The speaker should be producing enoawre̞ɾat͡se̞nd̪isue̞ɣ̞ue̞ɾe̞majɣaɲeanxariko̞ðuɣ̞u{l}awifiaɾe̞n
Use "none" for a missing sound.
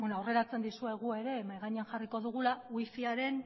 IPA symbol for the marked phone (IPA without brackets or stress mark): l